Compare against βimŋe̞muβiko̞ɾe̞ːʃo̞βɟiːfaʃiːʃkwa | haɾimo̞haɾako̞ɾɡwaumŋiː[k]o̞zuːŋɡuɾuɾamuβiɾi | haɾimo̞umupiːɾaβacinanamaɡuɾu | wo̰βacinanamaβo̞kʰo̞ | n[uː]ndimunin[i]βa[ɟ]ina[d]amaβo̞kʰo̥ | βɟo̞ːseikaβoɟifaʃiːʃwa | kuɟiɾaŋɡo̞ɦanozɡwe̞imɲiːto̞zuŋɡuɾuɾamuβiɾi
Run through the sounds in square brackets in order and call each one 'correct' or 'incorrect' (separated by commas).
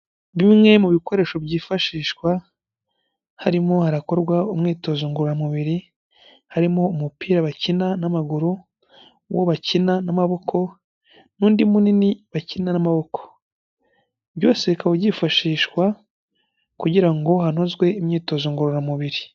incorrect, correct, correct, incorrect, incorrect